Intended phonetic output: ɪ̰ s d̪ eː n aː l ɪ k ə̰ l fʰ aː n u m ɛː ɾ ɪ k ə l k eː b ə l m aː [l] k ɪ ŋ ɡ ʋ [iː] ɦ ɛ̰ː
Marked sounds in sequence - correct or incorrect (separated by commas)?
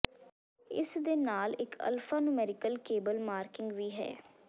incorrect, correct